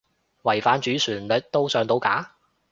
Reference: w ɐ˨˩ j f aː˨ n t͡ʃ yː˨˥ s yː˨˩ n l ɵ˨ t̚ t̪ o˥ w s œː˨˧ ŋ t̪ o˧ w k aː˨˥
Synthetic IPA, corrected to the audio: w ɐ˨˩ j f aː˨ n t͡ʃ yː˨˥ s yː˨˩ n l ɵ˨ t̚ t̪ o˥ w s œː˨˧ ŋ t̪ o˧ w k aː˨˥